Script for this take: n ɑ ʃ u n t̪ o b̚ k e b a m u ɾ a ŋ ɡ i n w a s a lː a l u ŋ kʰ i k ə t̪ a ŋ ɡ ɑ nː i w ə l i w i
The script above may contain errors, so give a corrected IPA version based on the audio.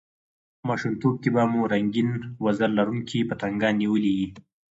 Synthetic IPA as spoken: m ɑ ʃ u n t̪ o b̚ k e b a m u ɾ a ŋ ɡ i n w a z a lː a ɾ u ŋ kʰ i p ə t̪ a ŋ ɡ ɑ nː i w ə l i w i